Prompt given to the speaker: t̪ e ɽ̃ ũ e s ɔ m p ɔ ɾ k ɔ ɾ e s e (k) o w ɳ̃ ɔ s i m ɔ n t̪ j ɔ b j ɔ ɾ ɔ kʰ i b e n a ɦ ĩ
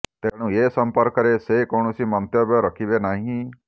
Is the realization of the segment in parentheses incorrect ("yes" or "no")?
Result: no